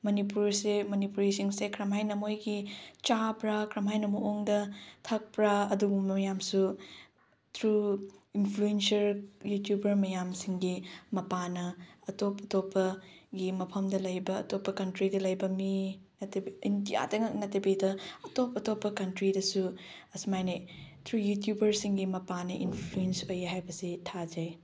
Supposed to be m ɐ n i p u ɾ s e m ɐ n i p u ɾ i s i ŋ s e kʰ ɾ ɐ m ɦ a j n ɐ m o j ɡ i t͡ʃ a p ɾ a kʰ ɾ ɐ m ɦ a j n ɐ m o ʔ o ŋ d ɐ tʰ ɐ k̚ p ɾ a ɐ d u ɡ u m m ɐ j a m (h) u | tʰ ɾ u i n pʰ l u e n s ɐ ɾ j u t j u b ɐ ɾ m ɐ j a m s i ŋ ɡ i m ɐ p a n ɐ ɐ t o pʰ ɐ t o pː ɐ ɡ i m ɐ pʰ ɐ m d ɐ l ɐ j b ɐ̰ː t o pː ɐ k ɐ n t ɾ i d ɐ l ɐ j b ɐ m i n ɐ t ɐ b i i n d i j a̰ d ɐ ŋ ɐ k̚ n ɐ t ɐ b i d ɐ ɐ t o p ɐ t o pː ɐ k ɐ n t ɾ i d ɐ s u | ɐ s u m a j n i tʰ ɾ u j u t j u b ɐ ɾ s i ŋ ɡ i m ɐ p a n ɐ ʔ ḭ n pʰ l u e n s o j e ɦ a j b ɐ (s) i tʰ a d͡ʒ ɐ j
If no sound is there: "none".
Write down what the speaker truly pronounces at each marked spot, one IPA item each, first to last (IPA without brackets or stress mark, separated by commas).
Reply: s, s